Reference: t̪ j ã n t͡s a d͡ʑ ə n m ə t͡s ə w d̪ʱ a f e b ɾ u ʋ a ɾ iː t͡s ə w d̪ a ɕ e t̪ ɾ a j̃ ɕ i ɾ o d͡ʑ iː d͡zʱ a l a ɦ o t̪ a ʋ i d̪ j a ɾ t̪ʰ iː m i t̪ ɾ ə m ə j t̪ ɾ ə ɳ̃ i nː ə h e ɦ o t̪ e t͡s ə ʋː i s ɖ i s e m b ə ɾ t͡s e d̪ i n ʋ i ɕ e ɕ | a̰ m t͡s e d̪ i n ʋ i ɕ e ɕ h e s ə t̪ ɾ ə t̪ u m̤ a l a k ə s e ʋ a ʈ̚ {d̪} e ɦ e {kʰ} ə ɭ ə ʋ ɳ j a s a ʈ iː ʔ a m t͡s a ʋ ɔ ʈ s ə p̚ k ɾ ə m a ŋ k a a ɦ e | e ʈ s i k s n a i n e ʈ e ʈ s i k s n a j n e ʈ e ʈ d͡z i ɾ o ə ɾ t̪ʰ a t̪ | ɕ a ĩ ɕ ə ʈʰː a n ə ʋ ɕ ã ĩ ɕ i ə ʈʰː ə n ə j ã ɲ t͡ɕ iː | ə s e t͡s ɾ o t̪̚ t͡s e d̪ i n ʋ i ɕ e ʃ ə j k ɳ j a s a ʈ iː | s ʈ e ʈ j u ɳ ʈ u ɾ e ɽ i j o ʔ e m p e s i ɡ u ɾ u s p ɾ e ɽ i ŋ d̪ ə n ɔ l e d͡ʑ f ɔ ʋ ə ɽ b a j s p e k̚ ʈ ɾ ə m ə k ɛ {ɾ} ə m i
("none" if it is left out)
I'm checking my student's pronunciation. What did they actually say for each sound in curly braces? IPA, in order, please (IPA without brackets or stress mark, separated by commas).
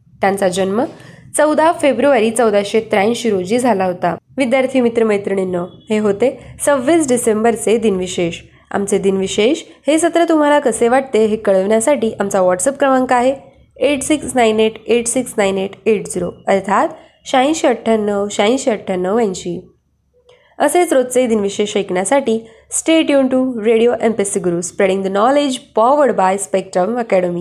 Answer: t̪, k, ɽ